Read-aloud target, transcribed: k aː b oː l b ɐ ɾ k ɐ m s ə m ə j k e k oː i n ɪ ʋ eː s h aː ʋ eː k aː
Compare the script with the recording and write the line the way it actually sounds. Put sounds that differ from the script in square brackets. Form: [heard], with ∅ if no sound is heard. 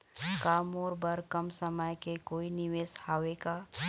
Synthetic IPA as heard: k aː [m] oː [ɾ] b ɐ ɾ k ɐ m s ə m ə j k e k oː i n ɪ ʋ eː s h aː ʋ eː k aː

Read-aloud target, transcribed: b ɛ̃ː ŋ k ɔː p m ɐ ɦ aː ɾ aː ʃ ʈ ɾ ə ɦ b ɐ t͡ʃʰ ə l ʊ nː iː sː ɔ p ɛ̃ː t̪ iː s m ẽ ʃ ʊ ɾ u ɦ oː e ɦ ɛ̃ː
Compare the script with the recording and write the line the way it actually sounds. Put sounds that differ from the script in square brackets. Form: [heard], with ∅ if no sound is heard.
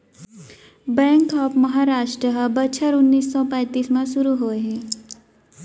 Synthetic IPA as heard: b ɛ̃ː ŋ k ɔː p m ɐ ɦ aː ɾ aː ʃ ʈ ɾ ə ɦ b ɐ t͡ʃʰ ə [ɾ] ʊ nː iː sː ɔ p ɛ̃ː t̪ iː s m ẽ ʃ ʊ ɾ u ɦ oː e ɦ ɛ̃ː

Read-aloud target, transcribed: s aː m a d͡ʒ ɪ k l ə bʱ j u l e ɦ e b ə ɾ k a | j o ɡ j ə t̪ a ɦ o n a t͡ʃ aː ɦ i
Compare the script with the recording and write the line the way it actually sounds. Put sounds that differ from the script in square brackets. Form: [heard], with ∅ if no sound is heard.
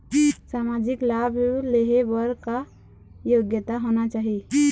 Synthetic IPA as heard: s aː m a d͡ʒ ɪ k l [a] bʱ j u l e ɦ e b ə ɾ k a | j o ɡ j ə t̪ a ɦ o n a t͡ʃ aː ɦ i

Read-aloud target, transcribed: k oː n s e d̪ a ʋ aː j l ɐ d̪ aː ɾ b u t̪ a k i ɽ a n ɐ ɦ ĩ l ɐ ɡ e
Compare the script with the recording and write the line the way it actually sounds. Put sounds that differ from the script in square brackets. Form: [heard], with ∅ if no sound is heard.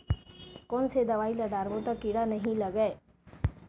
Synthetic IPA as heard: k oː n s e d̪ [ɐ] ʋ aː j l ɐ d̪ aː ɾ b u t̪ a k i ɽ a n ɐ ɦ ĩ l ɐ ɡ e

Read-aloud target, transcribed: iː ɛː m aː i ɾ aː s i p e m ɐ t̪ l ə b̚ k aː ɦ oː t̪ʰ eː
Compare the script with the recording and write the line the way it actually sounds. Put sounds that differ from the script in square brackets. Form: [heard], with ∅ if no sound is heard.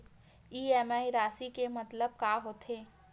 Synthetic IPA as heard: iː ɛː m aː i ɾ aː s i [k] e m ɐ t̪ l ə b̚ k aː ɦ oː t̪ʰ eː

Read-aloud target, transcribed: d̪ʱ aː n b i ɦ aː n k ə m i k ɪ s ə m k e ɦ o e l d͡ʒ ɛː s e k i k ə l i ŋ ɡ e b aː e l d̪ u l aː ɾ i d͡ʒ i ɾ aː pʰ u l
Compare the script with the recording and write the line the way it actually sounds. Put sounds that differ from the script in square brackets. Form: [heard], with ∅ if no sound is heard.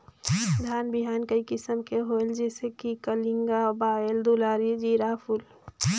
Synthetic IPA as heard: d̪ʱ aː n b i ɦ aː n k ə [∅] i k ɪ s ə m k e ɦ o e l d͡ʒ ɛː s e k i k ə l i ŋ ɡ [a] b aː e l d̪ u l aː ɾ i d͡ʒ i ɾ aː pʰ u l

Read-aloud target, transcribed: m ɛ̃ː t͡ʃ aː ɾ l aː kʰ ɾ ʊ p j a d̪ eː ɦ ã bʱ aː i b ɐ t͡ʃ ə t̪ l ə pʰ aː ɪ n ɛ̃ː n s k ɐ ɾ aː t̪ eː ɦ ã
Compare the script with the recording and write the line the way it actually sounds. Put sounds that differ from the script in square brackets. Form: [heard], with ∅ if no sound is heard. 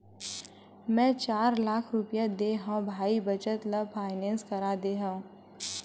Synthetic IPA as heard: m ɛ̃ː t͡ʃ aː ɾ l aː kʰ ɾ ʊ p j a d̪ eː ɦ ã bʱ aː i b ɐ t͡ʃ ə t̪ l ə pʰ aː ɪ n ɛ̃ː n s k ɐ ɾ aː [d̪] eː ɦ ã

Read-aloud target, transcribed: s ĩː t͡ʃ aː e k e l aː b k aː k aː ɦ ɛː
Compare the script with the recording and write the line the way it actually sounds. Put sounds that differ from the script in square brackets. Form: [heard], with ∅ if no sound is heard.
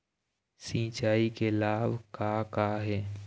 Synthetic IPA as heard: s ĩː t͡ʃ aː [i] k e l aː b k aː k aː ɦ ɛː

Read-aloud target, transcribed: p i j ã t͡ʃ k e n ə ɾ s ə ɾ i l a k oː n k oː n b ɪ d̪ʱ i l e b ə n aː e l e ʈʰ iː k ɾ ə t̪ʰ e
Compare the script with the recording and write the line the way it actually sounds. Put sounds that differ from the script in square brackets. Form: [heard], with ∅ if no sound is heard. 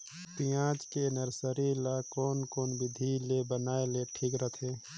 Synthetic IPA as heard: p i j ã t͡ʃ k e n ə ɾ s ə ɾ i l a k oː n k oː n b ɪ d̪ʱ i l e b ə n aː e l e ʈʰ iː k ɾ ə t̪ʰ e

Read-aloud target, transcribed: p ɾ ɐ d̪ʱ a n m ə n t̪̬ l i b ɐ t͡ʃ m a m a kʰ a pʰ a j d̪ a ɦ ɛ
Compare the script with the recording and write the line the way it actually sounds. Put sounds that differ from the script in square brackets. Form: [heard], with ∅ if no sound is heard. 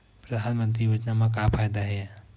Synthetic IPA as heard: p ɾ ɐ d̪ʱ a n m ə n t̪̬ [ɾ] i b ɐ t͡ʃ [n] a m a [k] a pʰ a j d̪ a ɦ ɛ

